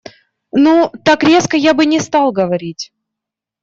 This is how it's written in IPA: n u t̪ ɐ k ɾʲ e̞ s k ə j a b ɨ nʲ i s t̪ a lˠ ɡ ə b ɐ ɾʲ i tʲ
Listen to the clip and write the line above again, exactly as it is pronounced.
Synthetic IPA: n u t̪ a k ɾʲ e̞ s k ə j a b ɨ nʲ ɪ s t̪ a lˠ ɡ ə v ɐ ɾʲ i tʲ